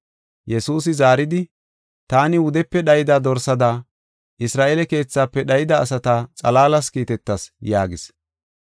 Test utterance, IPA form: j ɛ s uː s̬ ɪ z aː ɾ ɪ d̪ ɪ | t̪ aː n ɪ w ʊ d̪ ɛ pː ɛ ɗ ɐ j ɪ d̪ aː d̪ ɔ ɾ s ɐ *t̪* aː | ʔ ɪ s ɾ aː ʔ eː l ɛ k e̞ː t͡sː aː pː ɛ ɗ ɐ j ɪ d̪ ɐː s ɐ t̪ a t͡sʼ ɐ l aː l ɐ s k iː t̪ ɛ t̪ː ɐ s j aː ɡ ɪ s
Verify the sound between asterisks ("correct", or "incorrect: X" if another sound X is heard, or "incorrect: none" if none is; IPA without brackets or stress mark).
incorrect: d̪